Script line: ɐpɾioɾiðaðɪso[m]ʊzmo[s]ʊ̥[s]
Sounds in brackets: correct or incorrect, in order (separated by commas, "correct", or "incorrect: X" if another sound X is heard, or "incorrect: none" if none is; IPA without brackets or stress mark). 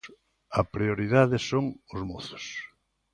incorrect: ŋ, incorrect: θ, correct